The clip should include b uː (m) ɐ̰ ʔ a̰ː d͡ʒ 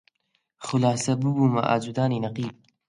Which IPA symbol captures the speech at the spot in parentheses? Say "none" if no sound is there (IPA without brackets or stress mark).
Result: m